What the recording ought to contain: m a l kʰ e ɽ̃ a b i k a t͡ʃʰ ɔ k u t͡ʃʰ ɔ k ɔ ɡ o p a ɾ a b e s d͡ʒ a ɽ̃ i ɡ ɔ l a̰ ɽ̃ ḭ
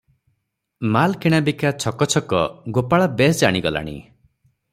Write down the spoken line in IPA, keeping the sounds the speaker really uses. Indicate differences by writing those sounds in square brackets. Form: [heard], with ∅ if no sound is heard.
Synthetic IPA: m a l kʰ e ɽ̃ a b i k a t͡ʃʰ ɔ k [ɔ] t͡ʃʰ ɔ k ɔ ɡ o p a [ɭ] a b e s d͡ʒ a ɽ̃ i ɡ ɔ l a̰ ɽ̃ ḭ